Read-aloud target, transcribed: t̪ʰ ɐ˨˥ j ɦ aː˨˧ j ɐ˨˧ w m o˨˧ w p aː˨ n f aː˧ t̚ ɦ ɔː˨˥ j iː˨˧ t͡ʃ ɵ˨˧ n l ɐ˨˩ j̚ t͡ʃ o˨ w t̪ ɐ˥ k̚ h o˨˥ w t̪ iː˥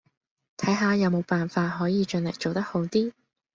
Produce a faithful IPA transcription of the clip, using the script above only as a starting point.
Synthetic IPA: t̪ʰ ɐ˨˥ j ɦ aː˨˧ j ɐ˨˧ w m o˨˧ w p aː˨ n f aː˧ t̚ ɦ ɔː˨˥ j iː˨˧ t͡ʃ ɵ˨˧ n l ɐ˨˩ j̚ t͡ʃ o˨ w t̪ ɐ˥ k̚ h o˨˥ w t̪ iː˥